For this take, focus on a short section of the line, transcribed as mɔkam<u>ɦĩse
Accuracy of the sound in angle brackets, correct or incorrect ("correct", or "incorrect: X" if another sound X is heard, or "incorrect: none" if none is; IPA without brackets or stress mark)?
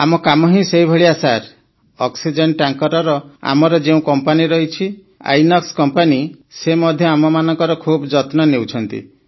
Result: incorrect: ɔ